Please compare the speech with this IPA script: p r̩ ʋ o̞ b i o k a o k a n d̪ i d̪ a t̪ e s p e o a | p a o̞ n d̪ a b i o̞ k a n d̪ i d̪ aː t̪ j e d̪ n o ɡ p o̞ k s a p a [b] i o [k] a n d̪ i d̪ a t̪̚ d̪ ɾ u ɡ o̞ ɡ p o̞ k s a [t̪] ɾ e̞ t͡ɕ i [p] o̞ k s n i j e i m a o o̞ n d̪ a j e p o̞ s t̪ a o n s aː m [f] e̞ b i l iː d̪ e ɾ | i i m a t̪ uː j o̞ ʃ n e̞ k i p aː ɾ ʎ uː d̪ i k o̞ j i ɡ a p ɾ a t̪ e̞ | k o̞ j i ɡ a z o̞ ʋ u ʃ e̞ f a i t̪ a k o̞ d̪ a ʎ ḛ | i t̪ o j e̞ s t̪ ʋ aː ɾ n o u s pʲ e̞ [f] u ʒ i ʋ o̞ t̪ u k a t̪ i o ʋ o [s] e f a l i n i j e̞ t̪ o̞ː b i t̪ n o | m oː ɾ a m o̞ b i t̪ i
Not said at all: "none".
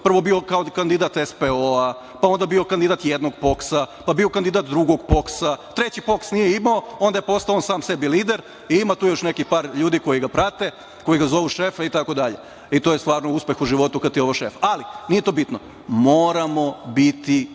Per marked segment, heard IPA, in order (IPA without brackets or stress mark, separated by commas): b, k, t̪, p, s, x, ʃ